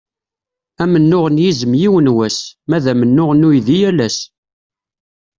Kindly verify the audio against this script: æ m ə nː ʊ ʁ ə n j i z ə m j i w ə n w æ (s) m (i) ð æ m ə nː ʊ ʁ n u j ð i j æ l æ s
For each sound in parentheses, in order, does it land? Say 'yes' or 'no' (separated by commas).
yes, no